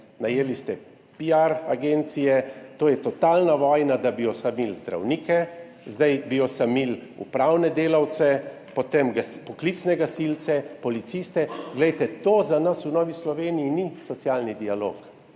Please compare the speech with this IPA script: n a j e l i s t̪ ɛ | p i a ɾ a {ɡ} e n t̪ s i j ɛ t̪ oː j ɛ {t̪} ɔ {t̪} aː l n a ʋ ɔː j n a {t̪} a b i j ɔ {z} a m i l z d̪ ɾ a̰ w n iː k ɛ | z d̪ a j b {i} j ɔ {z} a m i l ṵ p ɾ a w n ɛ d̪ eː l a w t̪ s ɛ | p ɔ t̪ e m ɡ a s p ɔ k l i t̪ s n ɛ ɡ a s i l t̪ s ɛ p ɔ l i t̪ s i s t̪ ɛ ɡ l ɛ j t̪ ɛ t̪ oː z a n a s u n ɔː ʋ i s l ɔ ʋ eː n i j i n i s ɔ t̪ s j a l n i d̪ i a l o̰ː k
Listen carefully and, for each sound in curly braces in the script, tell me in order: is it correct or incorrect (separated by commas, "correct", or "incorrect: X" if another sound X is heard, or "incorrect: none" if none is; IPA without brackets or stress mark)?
correct, correct, correct, incorrect: d̪, incorrect: s, correct, incorrect: s